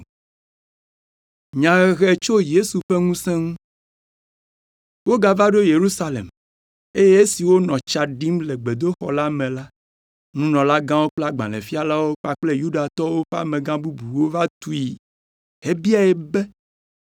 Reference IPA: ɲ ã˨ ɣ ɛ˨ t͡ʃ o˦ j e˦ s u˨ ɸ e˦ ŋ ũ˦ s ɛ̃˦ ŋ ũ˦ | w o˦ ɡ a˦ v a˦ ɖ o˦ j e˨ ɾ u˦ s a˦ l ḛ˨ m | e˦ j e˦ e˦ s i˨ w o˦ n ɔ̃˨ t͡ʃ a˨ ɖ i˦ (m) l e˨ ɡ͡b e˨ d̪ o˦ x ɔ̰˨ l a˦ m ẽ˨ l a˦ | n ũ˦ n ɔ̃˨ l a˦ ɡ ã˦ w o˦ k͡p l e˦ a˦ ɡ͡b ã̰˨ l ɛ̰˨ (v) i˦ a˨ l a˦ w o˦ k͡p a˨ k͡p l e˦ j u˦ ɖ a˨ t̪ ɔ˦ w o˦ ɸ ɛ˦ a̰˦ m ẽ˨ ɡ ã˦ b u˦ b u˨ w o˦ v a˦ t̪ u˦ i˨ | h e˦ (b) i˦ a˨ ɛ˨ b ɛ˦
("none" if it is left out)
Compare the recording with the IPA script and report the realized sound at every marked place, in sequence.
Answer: m, f, b

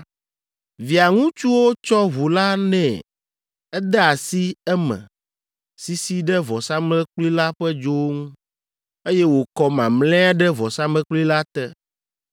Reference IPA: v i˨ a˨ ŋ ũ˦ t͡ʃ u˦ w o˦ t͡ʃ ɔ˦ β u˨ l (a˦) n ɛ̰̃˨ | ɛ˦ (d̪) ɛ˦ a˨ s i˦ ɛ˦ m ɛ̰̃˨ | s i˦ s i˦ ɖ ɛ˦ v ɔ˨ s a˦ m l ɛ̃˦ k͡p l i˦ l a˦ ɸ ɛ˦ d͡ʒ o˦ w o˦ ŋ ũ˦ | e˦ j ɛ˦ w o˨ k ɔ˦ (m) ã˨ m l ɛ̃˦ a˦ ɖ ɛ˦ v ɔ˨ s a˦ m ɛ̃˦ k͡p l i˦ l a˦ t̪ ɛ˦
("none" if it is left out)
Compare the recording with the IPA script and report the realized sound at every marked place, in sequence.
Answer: a˦, d̪, m

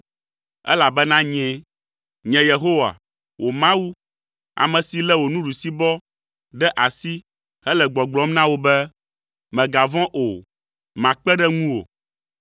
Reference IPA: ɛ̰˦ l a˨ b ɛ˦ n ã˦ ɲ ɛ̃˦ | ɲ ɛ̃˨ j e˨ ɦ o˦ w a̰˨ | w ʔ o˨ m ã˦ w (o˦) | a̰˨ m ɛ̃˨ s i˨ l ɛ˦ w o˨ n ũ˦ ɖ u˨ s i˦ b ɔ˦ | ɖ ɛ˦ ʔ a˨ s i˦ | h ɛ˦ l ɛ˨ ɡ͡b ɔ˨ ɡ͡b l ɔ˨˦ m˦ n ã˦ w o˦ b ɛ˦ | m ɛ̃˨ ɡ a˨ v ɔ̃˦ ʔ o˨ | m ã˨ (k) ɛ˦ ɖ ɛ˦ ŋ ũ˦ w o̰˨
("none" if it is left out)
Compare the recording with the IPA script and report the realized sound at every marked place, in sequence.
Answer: u˦, k͡p

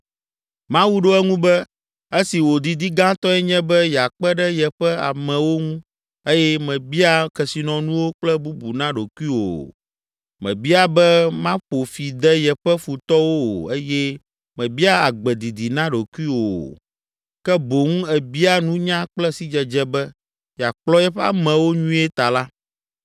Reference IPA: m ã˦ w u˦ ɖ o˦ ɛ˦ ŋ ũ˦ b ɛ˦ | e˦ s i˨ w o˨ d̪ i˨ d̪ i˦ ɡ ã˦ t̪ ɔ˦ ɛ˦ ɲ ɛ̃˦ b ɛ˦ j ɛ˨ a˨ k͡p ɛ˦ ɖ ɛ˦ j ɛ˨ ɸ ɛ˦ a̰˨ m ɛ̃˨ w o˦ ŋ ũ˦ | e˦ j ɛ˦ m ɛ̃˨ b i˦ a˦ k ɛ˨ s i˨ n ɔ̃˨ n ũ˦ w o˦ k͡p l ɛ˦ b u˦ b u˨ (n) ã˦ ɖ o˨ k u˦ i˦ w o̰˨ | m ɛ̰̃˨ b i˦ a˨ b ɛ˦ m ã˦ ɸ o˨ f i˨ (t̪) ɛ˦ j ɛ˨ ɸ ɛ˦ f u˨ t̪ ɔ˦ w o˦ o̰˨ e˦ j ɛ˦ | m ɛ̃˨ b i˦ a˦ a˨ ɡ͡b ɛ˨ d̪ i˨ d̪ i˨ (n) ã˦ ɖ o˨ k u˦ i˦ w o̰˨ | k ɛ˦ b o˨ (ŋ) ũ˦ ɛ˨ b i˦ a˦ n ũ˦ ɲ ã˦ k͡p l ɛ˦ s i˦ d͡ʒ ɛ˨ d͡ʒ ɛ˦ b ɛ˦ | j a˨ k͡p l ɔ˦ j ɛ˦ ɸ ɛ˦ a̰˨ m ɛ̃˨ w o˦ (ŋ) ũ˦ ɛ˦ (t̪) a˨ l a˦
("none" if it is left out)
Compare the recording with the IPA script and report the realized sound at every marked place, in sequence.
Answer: n, d̪, n, ŋ, ɲ, t̪

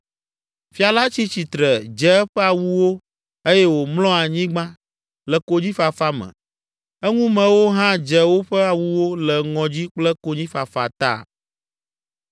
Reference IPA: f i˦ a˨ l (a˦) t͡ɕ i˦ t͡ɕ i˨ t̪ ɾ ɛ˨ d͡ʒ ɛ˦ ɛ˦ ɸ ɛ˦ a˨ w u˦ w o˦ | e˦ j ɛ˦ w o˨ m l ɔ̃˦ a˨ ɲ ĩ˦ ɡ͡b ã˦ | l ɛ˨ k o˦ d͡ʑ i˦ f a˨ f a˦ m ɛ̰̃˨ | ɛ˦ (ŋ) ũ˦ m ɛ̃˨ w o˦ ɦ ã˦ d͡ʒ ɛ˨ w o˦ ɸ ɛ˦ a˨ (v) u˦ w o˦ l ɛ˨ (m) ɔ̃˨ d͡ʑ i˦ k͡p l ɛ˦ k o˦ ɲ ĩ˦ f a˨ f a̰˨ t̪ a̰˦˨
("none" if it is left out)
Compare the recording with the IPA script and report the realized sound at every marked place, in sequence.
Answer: a˦, ŋ, w, ŋ

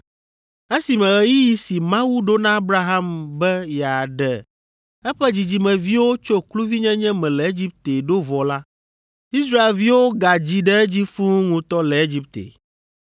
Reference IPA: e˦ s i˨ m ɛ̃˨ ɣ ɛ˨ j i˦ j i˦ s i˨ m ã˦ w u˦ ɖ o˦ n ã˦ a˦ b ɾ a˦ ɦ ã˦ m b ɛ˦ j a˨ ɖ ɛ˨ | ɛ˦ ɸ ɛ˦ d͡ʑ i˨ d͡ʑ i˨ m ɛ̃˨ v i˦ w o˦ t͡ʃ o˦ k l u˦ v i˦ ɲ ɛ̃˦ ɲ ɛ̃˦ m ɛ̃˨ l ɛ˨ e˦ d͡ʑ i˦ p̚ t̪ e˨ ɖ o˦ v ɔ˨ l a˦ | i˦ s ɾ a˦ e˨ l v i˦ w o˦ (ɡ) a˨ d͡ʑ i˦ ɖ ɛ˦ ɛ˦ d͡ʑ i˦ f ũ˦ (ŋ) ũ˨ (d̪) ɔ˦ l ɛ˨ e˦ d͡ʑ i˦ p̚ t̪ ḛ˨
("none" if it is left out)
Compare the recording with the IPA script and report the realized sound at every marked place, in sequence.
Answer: ɡ, ŋ, t̪

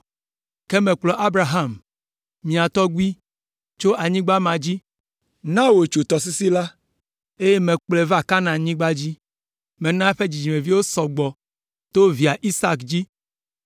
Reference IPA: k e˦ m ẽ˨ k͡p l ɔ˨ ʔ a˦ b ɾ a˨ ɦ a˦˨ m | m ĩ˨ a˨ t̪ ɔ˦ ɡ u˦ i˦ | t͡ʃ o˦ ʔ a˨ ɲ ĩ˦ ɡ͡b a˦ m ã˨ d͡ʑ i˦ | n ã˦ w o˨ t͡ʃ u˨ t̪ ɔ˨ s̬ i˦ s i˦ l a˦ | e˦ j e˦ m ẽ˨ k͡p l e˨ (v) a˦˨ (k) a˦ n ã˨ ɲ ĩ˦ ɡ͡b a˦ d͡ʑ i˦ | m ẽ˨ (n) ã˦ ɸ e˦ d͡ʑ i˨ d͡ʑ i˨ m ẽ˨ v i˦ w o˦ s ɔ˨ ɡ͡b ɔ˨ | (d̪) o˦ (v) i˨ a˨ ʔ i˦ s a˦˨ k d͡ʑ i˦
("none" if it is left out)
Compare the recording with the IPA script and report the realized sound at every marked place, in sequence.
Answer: v, k, n, t̪, v

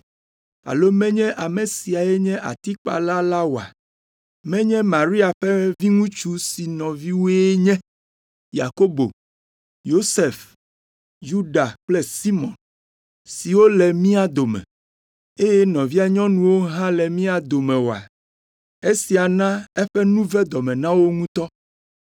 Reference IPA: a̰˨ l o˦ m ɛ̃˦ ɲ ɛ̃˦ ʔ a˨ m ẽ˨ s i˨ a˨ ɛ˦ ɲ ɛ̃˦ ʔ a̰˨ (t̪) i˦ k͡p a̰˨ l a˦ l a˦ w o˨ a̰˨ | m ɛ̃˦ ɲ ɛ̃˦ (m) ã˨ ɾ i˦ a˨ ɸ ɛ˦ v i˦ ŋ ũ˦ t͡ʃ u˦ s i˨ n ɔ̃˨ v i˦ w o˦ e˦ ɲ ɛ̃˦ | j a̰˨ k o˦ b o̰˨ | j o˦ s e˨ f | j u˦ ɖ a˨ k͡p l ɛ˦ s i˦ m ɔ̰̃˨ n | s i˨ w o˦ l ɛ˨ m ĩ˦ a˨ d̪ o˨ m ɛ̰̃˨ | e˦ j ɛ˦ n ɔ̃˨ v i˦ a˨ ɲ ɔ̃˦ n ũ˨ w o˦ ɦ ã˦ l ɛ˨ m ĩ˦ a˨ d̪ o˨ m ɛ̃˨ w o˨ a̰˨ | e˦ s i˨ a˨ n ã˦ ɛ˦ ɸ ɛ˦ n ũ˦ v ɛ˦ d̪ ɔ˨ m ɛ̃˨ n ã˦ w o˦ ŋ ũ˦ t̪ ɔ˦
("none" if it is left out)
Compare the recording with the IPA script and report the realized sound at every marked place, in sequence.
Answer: t̪, m

